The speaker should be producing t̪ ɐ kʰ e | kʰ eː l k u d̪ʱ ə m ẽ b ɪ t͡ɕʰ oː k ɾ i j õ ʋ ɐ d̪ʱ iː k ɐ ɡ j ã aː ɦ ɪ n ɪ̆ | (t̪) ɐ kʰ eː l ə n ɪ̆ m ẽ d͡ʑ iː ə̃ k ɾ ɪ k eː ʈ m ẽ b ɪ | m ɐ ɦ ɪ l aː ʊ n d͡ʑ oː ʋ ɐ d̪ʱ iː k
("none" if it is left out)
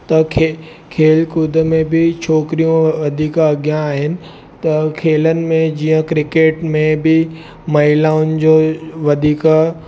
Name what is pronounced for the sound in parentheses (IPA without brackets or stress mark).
t̪